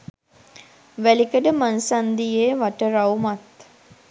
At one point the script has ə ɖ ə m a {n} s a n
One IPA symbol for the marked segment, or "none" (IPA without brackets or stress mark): n